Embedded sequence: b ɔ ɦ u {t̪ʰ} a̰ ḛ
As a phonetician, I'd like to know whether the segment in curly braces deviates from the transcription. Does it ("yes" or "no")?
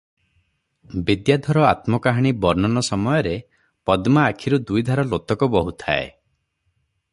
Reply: no